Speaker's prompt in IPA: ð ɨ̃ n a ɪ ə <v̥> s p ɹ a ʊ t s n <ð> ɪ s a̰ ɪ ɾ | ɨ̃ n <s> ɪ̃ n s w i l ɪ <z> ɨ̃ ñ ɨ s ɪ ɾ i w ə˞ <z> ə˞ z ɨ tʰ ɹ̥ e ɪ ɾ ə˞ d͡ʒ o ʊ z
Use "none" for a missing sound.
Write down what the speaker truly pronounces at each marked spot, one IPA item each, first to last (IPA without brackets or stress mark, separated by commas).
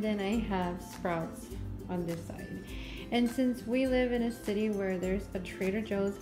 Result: v̥, ð, s, v, ð